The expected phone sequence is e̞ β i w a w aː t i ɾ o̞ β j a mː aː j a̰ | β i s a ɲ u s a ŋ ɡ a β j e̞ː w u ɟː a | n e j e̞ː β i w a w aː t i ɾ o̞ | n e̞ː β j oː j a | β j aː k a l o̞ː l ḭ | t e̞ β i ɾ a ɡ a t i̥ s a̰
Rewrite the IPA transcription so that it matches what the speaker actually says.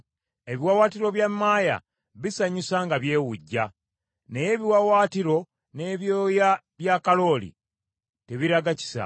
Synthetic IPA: e̞ β i w a w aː t i ɾ o̞ β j a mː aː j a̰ | β i s a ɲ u s a ŋ ɡ a β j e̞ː w u ɟː a | n e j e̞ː β i w a w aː t i ɾ o̞ | n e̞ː β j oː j a | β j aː k a l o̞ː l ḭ | t e̞ β i ɾ a ɡ a c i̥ s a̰

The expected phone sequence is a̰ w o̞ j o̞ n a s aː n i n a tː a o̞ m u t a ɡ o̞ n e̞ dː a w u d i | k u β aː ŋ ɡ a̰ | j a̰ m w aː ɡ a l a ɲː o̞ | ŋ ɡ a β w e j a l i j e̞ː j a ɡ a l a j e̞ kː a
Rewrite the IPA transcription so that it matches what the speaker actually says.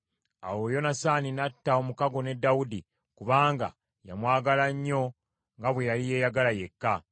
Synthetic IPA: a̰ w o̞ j o̞ n a s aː n i n a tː a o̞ m u k a ɡ o̞ n e̞ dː a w u d i | k u β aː ŋ ɡ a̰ | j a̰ m w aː ɡ a l a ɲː o̞ | ŋ ɡ a β w e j a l i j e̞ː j a ɡ a l a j e̞ kː a

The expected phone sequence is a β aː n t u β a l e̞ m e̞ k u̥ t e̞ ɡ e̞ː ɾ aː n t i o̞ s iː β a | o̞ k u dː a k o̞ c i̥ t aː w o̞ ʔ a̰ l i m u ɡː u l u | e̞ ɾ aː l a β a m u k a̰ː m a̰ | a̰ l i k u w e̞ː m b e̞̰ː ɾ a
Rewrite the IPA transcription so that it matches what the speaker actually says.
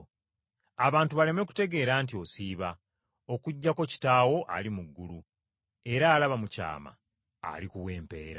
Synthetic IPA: a β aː n t u β a l e̞ m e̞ k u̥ t e̞ ɡ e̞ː ɾ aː n t i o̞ s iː β a | o̞ k u ɟː a k o̞ c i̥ t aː w o̞ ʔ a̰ l i m u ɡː u l u | e̞ ɾ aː l a β a m u c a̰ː m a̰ | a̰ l i k u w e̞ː m p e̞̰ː ɾ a

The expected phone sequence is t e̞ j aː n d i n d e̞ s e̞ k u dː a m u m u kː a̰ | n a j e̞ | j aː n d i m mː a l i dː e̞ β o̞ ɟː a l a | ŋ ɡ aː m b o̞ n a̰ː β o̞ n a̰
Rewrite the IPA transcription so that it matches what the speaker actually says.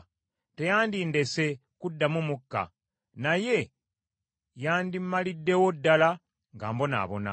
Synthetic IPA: t e̞ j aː n d i n d e̞ s e̞ k u dː a m u m u kː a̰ | n a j e̞ | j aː n d i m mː a l i dː e̞ w o̞ dː a l a | ŋ ɡ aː m b o̞ n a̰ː β o̞ n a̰

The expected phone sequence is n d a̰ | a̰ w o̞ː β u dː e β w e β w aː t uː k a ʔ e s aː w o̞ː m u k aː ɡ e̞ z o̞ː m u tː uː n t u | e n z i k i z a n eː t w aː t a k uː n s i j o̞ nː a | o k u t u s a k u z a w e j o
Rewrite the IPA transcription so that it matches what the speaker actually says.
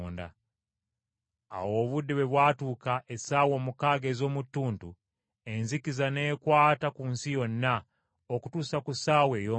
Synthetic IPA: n d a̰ | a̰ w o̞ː β u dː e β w e β w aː t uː k a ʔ e s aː w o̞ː m u k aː ɡ e̞ z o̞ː m u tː uː n t u | e n z i k i z a n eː k w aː t a k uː n s i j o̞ nː a | o k u t u s a k u s a w e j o

